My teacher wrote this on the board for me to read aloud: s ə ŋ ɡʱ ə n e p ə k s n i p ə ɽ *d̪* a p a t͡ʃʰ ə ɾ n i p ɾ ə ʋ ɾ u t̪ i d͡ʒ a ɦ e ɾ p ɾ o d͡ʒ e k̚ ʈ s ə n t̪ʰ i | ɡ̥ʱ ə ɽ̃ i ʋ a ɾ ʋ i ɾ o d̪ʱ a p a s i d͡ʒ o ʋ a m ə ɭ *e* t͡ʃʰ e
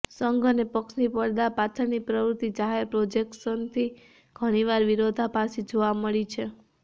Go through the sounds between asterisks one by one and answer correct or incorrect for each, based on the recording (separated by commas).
correct, incorrect